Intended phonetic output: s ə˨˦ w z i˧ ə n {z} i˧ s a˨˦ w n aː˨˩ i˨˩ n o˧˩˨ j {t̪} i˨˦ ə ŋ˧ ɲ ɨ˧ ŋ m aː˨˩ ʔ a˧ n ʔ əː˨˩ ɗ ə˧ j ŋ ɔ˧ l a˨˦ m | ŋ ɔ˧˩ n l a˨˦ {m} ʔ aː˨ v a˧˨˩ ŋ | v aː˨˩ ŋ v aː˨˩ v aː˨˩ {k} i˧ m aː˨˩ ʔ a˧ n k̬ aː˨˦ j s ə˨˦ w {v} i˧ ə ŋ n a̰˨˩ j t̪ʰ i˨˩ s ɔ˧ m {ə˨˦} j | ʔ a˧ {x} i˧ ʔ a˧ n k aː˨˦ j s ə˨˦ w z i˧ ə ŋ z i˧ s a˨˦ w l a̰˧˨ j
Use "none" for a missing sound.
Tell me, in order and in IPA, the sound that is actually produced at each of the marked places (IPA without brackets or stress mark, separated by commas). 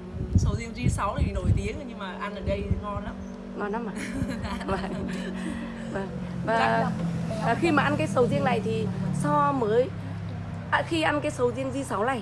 z, t̪, m, x, z, əː˨˦, x